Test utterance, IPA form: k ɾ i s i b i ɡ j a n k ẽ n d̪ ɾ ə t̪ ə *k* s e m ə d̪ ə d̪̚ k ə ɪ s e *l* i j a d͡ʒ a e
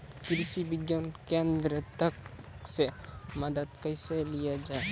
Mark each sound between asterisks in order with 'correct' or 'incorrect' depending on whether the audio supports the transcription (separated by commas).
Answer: correct, correct